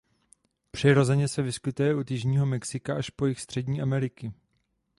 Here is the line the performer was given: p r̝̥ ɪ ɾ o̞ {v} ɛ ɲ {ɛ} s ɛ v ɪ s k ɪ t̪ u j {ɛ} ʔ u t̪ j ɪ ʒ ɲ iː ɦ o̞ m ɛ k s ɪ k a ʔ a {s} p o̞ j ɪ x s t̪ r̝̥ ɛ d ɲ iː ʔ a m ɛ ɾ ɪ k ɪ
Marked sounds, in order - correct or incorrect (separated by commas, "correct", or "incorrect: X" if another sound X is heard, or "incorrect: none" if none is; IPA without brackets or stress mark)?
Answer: incorrect: z, correct, correct, incorrect: ʃ